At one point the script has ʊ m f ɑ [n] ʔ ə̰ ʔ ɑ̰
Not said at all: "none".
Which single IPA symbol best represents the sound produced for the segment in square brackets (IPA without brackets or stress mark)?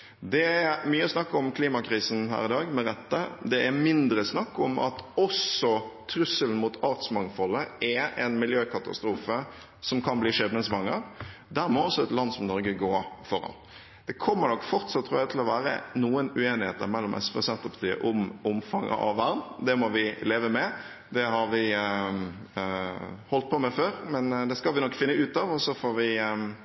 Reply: ŋ